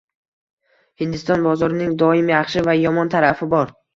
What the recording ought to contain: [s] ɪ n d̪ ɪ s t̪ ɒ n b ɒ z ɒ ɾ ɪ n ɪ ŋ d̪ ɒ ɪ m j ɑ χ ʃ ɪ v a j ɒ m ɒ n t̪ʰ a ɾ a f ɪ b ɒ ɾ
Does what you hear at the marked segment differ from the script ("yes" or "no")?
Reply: yes